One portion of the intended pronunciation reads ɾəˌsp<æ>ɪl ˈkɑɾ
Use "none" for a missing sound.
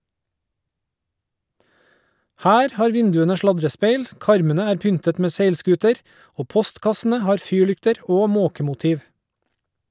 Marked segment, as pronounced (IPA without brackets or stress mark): e